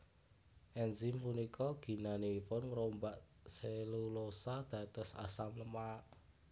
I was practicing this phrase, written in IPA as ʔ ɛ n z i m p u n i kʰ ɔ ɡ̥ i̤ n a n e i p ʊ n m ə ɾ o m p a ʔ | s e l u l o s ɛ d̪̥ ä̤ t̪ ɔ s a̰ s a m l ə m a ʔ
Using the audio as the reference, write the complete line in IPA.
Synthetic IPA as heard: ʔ ɛ n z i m p u n i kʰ ɔ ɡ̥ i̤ n a n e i p ʊ n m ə ɾ o m b a ʔ | s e l u l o s a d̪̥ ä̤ t̪ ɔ s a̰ s a m l ə m a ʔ